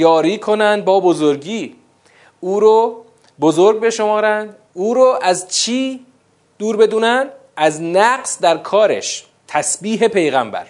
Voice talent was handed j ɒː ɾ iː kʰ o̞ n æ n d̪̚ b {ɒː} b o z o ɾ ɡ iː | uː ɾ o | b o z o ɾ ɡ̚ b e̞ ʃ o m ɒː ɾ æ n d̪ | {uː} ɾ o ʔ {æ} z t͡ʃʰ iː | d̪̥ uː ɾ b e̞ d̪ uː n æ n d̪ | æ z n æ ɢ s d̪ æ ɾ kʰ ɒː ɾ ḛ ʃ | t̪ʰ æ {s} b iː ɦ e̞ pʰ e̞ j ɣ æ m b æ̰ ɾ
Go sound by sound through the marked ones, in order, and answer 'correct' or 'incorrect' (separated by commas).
correct, correct, correct, correct